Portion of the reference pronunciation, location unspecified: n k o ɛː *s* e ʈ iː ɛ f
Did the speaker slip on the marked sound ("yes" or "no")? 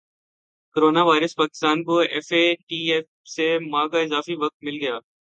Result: yes